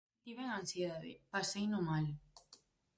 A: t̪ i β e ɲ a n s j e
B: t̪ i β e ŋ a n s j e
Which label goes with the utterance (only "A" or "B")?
B